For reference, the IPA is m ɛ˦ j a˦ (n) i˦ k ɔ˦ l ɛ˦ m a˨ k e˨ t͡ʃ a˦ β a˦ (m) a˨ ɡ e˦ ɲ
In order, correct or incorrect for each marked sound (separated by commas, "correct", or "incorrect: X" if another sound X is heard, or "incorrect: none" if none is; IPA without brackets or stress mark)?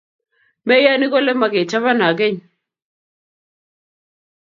correct, incorrect: n